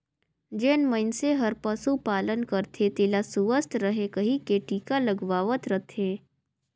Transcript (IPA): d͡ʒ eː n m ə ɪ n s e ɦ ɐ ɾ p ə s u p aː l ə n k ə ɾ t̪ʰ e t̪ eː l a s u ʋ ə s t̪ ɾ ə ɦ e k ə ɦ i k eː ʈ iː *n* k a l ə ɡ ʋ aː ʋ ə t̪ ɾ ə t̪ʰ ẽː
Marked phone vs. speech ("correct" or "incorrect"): incorrect